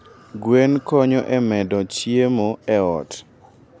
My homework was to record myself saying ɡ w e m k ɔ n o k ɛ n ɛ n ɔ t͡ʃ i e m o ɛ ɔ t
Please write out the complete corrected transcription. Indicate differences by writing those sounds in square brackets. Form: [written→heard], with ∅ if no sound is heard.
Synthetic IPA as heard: ɡ w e [m→n] k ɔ [n→ɲ] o [k→ʔ] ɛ [n→m] ɛ [n→d] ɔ t͡ʃ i e m o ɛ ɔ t